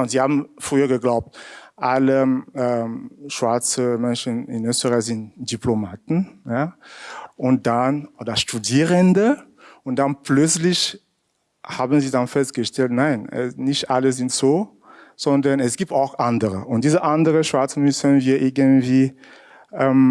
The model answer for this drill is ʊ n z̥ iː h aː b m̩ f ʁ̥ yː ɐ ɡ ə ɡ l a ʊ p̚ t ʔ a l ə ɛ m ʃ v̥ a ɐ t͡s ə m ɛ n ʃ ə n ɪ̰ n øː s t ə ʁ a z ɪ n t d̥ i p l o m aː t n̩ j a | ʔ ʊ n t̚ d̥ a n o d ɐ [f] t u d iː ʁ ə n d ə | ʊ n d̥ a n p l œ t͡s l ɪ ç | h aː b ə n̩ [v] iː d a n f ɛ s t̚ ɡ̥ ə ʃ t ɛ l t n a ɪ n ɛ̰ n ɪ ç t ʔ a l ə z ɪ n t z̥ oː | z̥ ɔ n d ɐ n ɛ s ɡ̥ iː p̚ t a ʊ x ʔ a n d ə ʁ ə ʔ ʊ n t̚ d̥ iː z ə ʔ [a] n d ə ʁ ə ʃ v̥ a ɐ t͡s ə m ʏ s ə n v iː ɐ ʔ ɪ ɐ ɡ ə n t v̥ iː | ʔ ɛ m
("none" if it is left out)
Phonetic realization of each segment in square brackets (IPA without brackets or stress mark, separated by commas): ʃ, z, a